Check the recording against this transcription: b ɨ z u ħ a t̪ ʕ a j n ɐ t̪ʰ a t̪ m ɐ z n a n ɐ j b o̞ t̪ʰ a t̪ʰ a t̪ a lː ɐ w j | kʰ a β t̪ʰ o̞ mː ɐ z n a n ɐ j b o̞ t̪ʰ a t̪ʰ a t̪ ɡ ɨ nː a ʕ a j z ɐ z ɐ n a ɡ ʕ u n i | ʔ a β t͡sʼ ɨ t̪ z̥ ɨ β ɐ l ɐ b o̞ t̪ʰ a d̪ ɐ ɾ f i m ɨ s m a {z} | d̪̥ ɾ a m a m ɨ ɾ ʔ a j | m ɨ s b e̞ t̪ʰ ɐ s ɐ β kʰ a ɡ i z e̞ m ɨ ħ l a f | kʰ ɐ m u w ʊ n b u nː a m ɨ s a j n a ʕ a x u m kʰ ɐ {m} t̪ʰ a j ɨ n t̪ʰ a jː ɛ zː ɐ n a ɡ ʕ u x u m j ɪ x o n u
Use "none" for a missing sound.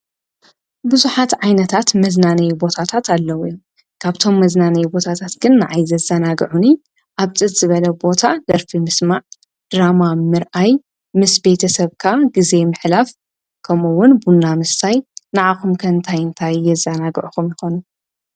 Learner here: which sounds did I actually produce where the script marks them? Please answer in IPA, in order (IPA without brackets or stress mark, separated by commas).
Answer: ʕ, n